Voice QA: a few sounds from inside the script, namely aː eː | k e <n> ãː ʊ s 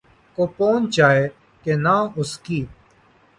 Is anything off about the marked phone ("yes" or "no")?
no